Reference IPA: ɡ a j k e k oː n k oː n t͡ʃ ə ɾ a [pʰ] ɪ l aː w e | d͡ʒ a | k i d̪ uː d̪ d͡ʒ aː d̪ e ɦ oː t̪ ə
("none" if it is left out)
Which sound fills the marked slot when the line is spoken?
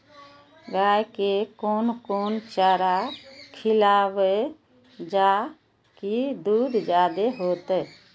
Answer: kʰ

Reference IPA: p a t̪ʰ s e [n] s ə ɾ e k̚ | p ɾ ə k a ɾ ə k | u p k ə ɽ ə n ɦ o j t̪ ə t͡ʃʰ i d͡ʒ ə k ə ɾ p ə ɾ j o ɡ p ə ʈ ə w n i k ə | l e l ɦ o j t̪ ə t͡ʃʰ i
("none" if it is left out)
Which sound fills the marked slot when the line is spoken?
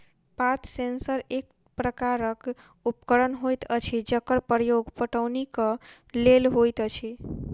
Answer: n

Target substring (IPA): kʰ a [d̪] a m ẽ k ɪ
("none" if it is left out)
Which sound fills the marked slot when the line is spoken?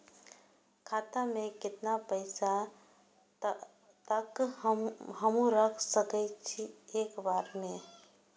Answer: t̪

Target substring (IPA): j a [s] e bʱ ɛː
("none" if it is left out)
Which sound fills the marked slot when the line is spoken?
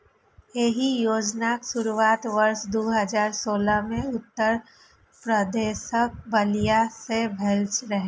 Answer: s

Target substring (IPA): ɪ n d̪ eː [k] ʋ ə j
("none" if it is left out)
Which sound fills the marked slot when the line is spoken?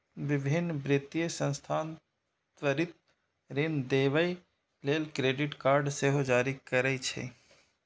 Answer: none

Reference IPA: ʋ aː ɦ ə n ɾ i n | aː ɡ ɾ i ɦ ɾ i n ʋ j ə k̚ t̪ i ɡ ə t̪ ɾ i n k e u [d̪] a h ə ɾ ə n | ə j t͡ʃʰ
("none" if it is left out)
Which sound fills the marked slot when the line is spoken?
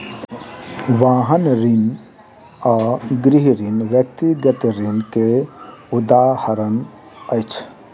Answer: d̪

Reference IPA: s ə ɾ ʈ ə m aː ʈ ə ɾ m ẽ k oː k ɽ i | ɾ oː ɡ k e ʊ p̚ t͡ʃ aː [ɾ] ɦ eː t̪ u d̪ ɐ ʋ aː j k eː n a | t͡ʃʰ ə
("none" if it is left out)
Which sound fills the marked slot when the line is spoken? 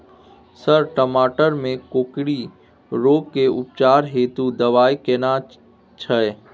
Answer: ɾ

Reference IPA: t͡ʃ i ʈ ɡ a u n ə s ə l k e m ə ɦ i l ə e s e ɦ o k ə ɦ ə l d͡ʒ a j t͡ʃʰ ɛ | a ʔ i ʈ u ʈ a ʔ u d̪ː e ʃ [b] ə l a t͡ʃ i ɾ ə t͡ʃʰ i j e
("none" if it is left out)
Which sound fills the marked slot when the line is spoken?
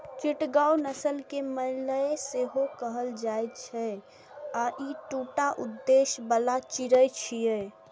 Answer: b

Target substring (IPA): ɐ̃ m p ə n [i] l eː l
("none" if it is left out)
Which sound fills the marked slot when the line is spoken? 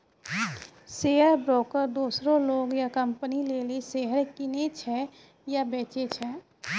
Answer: i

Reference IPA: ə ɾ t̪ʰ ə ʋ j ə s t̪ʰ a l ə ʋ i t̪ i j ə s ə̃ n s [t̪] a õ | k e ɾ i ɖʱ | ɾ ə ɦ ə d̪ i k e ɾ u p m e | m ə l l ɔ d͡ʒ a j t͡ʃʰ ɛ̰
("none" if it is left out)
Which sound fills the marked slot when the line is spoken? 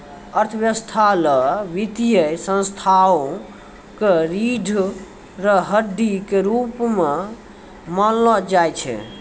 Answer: t̪ʰ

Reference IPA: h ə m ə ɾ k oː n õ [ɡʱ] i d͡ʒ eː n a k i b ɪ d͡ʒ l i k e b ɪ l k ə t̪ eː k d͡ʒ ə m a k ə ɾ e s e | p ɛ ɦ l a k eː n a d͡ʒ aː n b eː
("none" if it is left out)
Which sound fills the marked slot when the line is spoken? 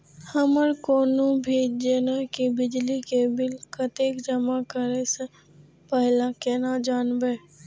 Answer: bʱ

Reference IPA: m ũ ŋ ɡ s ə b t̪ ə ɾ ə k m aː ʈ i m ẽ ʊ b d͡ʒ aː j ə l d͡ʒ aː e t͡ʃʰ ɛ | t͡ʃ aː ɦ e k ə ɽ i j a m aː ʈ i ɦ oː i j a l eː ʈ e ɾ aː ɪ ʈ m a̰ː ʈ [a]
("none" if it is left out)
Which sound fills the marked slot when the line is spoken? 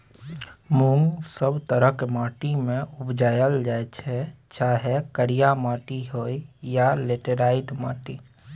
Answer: i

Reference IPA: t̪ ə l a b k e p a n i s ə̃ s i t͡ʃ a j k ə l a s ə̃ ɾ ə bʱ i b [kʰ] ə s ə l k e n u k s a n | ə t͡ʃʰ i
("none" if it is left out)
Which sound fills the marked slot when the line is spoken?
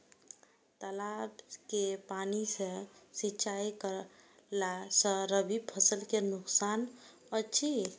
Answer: pʰ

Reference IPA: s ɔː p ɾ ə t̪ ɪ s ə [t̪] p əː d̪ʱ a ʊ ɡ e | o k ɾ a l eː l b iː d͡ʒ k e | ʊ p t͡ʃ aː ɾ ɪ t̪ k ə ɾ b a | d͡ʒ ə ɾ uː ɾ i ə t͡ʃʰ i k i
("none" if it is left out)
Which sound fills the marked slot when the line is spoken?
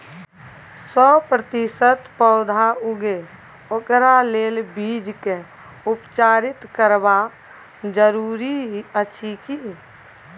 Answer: t̪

